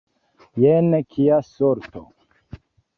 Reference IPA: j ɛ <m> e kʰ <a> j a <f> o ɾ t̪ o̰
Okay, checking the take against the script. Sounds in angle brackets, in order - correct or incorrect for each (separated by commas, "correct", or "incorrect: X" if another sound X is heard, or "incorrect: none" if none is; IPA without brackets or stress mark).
incorrect: n, incorrect: i, incorrect: s